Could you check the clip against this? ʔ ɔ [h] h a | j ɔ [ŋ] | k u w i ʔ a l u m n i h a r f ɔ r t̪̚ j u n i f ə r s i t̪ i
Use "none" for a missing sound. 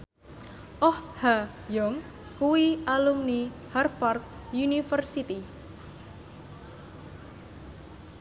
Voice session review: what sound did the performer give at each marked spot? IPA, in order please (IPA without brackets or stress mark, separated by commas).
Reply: h, ŋ